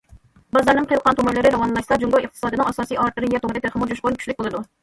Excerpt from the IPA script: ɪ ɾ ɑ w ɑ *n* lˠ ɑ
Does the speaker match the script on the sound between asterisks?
yes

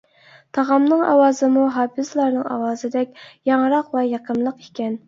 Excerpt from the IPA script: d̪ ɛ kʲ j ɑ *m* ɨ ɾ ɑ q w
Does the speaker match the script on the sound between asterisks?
no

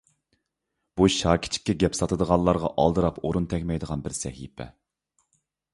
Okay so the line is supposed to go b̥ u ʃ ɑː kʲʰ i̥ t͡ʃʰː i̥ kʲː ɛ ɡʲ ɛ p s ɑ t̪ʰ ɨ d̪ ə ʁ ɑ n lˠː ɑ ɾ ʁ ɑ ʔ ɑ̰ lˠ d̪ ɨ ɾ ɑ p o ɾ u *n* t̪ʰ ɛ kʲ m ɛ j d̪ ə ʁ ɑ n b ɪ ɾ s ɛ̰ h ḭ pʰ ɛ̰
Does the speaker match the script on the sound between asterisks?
yes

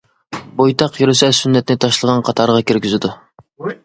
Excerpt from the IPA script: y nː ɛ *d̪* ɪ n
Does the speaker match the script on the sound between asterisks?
no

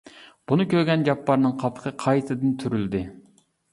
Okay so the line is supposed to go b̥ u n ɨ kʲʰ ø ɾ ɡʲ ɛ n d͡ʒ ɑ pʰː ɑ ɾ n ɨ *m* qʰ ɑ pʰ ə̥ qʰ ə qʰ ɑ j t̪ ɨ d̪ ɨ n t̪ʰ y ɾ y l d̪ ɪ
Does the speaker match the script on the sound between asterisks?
no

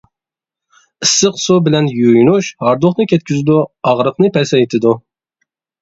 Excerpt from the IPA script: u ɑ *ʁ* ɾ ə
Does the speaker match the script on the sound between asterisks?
yes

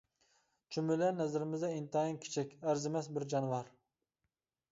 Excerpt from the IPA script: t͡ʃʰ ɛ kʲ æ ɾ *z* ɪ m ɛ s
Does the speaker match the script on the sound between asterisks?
yes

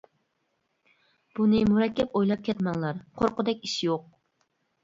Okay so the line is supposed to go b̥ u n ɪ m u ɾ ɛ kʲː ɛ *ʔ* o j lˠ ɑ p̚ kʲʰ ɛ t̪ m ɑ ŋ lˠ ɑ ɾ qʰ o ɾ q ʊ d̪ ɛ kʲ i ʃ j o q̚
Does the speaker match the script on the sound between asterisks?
no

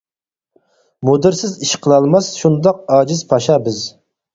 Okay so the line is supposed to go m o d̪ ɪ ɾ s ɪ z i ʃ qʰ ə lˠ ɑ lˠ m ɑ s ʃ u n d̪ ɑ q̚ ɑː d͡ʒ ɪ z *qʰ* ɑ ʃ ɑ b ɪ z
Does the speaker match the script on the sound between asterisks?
no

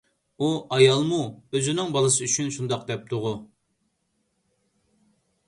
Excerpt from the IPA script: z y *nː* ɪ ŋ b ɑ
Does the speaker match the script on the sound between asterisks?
no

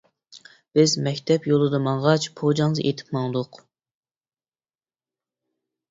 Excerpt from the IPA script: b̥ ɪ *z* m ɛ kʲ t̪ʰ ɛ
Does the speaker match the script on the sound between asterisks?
yes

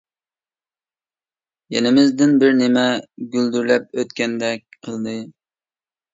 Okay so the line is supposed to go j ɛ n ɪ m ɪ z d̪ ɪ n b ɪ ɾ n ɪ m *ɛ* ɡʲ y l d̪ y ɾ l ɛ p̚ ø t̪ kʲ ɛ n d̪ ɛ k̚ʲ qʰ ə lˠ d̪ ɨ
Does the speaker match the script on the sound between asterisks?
yes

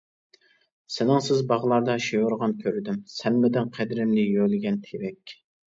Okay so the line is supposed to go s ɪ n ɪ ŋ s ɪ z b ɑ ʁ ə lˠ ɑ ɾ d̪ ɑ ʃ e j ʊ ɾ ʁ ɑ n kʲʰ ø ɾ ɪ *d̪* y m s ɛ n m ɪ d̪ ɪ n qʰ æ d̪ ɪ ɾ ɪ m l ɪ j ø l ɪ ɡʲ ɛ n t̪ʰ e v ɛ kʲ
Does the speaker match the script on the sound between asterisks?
yes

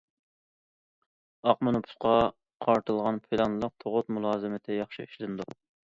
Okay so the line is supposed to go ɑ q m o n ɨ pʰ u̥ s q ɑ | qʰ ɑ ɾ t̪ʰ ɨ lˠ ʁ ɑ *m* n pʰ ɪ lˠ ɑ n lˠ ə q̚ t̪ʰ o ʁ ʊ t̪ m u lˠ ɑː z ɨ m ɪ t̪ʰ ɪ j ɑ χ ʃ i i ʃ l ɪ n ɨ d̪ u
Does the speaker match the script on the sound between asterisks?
no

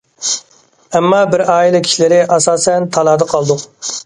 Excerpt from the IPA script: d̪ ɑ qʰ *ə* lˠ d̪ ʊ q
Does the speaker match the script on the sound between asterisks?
no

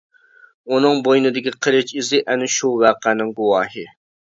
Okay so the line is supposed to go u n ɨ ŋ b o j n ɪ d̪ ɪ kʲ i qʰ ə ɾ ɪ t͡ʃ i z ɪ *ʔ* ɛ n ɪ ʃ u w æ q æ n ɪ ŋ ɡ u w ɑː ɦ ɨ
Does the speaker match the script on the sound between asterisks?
yes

